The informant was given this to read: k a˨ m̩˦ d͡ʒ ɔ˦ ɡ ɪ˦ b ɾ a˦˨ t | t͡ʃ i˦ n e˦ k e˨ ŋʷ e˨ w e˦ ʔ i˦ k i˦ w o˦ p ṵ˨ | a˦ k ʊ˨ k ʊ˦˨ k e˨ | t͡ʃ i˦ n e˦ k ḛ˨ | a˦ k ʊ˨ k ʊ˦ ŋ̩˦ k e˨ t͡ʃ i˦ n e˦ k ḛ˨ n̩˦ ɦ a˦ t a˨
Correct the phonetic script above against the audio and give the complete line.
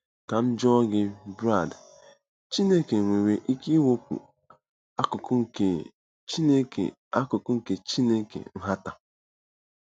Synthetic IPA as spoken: k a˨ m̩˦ d͡ʒ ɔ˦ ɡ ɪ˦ b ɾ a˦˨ d | t͡ʃ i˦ n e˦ k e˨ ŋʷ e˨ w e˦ ʔ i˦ k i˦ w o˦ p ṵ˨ | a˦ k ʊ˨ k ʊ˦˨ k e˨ | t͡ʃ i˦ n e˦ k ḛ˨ | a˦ k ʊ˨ k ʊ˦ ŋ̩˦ k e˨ t͡ʃ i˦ n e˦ k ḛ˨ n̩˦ ɦ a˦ t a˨